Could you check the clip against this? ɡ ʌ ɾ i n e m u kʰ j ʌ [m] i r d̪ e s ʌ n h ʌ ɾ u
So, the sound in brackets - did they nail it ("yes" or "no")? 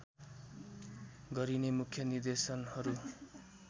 no